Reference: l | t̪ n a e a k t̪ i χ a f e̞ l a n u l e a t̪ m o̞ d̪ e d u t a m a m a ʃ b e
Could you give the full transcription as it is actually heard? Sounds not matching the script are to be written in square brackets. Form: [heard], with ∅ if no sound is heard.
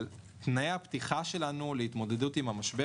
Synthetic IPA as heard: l | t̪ n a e a [p] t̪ i χ a [ʃ] e̞ l a n u l e [i] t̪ m o̞ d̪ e d u t [i] m a m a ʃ b e